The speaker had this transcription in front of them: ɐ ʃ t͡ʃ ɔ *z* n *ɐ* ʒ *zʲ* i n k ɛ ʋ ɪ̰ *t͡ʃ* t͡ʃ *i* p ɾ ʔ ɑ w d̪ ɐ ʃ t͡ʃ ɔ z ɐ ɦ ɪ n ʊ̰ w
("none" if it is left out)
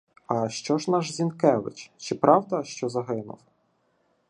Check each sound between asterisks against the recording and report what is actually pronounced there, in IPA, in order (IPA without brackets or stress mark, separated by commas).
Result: ʒ, ɑ, zʲ, t͡ʃ, ɪ